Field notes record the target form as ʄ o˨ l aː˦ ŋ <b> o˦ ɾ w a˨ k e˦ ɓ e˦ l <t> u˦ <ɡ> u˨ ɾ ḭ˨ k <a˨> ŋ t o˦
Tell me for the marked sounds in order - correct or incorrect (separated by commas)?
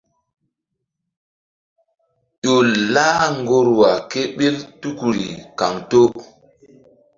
incorrect, correct, incorrect, correct